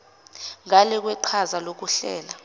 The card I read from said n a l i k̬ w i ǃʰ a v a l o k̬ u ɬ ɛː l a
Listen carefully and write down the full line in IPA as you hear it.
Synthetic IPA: ŋ a l ɛ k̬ w ɛ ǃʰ a z a l o k̬ u ɬ ɛː l a